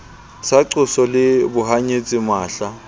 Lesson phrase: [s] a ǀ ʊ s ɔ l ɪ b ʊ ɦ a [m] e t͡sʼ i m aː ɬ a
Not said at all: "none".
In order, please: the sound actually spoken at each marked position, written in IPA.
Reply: s, ɲ

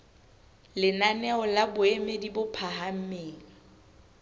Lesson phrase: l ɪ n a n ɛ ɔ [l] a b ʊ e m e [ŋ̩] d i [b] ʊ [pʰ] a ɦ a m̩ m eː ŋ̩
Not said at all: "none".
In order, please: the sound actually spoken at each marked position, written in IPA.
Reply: l, none, b, pʰ

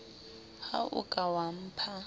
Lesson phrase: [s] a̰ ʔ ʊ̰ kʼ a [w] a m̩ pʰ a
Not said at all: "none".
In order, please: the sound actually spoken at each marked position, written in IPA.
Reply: h, w

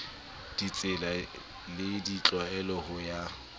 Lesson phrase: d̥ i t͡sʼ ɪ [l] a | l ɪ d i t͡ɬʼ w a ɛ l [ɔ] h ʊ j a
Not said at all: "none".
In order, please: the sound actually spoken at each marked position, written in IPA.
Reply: l, ɔ

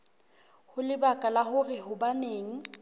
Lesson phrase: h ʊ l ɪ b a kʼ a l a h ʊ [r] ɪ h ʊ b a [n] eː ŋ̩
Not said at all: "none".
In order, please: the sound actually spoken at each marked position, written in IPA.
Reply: r, n

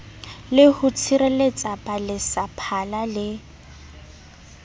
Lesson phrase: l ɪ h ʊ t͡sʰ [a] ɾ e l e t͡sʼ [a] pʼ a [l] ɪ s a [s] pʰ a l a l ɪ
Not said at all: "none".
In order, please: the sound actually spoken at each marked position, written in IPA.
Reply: i, a, l, none

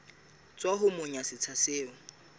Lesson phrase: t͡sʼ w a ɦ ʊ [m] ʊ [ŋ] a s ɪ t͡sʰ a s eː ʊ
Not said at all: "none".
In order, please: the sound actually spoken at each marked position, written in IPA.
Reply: m, ɲ

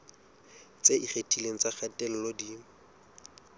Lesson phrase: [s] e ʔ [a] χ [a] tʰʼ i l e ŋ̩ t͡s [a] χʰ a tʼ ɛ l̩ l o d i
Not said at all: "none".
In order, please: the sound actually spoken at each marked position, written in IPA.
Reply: t͡s, i, e, a

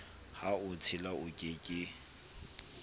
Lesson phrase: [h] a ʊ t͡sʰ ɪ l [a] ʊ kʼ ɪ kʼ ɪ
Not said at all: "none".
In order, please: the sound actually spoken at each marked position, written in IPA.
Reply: h, a

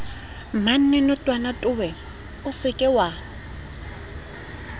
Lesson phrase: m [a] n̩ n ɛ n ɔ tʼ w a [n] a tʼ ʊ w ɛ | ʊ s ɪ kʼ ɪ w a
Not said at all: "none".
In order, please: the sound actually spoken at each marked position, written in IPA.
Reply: a, n

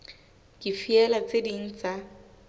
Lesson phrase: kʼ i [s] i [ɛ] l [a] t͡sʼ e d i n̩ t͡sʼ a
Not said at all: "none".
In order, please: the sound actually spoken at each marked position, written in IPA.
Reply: f, ɛ, a

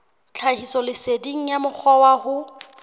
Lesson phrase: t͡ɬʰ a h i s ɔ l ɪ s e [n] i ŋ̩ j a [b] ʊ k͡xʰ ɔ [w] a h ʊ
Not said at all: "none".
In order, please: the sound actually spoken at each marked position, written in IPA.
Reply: d, m, w

